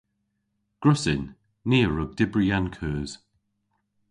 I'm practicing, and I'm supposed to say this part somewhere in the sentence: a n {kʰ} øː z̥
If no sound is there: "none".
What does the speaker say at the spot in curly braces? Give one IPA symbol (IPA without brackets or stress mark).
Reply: kʰ